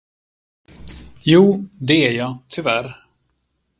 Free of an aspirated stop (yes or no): no